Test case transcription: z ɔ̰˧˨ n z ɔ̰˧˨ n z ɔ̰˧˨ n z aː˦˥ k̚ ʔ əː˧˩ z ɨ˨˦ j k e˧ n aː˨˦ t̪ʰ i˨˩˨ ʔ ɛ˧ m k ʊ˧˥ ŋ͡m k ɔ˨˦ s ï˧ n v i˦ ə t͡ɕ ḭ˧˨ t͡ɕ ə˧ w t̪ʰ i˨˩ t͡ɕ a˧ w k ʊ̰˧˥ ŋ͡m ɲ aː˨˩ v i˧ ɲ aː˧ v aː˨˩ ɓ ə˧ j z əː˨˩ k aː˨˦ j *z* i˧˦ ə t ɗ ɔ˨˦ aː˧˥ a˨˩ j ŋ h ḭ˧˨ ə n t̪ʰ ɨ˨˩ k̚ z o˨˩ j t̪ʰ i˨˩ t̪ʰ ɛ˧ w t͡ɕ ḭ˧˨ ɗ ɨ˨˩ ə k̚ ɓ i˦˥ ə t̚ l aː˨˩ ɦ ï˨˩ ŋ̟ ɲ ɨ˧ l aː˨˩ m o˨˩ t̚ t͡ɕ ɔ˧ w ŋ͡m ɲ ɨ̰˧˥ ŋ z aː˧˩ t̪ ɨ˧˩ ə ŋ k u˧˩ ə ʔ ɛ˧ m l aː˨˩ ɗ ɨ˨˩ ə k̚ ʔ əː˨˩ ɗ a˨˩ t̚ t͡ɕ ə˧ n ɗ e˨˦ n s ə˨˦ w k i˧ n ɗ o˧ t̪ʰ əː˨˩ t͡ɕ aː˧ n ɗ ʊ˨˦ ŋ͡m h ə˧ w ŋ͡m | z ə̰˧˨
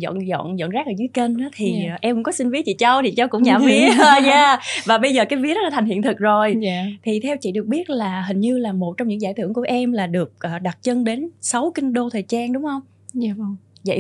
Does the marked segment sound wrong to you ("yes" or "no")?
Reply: yes